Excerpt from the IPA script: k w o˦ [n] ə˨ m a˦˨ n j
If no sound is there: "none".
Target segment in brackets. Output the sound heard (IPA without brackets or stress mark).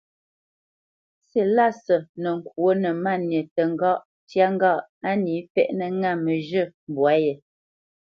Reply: n